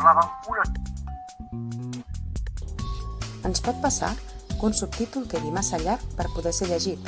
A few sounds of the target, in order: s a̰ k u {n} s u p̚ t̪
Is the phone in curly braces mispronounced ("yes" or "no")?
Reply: no